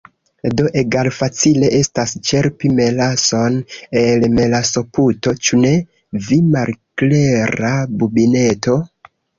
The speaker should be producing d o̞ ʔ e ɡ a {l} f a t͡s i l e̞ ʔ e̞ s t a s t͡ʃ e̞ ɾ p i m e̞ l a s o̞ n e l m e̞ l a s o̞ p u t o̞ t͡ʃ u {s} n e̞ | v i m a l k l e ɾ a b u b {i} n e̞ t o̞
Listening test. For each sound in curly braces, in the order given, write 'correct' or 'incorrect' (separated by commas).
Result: correct, incorrect, correct